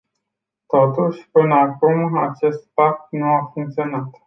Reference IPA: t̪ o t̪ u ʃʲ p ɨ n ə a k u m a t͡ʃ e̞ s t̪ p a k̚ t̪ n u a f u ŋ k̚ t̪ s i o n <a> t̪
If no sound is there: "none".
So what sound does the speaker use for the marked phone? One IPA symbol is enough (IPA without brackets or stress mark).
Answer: a